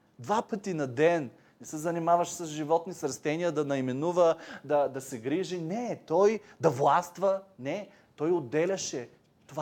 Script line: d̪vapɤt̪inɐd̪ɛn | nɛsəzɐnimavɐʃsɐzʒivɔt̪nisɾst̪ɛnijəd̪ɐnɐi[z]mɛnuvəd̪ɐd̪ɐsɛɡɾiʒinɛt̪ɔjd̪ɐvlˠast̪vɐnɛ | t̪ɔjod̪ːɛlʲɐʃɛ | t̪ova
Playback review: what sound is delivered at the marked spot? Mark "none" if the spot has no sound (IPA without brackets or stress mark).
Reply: none